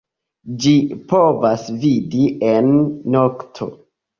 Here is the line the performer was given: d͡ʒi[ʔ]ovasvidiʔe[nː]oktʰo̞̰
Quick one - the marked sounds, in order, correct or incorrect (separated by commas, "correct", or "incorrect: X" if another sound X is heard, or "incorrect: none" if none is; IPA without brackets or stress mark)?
incorrect: p, correct